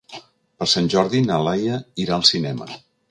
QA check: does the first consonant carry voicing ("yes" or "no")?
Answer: no